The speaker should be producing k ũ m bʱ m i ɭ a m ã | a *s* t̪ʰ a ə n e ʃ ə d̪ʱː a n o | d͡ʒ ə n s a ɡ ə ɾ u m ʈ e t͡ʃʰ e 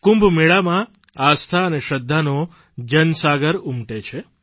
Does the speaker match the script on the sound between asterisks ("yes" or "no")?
yes